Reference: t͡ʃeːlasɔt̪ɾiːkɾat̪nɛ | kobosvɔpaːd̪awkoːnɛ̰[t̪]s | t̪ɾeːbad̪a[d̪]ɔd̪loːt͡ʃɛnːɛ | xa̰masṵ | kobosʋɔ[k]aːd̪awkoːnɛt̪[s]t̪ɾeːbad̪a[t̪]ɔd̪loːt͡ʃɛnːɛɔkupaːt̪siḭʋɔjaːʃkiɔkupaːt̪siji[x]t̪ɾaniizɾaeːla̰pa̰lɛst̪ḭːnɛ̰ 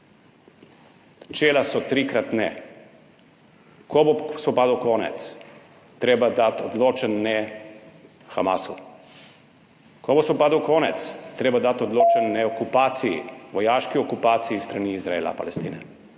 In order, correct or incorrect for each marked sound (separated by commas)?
correct, incorrect, incorrect, correct, correct, incorrect